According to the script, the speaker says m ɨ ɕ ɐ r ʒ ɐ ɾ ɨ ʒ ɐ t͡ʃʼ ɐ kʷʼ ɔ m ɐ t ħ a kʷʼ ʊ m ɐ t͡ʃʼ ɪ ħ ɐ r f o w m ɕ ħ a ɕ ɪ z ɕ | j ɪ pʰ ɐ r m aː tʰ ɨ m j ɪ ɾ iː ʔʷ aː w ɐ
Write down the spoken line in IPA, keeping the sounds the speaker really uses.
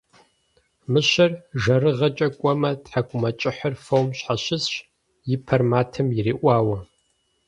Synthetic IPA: m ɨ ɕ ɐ r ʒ ɐ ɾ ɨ ʁ ɐ t͡ʃʼ ɐ kʷʼ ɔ m ɐ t ħ a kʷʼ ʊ m ɐ t͡ʃʼ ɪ ħ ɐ r f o w m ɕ ħ a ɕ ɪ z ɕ | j ɪ pʰ ɐ r m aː tʰ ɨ m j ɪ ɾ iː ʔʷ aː w ɐ